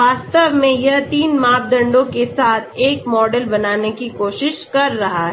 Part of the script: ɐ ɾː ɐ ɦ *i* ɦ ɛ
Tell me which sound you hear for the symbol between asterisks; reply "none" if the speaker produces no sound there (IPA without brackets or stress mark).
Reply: a